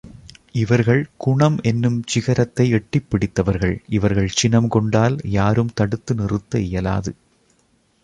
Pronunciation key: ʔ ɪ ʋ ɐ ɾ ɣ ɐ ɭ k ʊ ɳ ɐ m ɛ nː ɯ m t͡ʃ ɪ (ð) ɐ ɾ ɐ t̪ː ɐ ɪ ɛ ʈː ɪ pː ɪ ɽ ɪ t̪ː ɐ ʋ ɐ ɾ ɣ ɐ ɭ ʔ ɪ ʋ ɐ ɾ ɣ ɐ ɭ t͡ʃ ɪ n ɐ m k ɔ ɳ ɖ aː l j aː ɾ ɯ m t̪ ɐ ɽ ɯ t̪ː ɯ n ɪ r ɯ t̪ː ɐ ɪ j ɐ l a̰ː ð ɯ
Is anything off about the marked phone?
yes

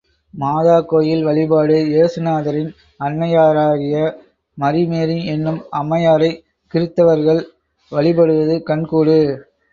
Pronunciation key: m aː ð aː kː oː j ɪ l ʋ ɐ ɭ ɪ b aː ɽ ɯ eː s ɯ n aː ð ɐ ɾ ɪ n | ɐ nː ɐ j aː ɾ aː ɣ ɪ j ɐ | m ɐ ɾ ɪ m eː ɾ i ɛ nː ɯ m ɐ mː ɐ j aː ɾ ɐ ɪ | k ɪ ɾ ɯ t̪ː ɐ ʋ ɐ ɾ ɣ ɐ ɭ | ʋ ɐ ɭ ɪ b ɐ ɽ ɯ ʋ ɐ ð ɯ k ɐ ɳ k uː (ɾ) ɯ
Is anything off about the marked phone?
yes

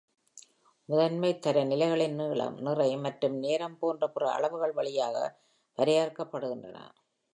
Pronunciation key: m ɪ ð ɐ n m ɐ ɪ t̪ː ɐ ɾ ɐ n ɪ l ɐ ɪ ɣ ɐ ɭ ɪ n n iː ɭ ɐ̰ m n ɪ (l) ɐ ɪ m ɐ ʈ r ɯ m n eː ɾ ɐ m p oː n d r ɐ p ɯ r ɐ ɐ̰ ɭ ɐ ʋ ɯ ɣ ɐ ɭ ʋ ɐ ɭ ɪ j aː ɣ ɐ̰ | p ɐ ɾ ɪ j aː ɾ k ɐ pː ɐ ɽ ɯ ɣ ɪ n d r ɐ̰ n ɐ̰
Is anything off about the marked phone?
yes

